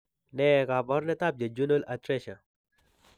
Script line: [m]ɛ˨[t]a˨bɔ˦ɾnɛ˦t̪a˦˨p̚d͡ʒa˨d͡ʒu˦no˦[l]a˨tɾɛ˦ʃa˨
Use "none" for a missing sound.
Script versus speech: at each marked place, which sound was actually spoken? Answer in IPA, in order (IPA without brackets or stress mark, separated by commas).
n, k, l